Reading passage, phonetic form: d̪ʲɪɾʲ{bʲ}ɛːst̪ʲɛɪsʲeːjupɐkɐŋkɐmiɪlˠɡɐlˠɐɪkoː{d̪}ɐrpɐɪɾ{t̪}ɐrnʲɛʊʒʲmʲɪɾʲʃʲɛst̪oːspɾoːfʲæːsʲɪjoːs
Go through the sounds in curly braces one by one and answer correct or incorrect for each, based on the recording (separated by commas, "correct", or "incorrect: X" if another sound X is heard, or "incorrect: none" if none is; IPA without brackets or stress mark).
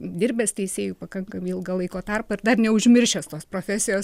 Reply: correct, incorrect: t̪, incorrect: d̪